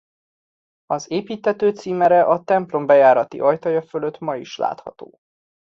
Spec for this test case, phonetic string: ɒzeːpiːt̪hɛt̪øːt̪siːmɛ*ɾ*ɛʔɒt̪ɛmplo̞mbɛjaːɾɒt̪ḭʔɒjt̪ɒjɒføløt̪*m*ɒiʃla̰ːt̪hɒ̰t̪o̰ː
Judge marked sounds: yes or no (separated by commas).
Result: yes, yes